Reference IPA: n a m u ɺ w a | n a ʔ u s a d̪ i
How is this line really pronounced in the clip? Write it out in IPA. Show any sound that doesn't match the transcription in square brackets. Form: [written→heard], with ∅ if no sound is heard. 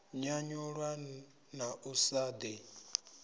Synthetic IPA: [n→ɲ] a [m→ɲ] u ɺ w a | n a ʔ u s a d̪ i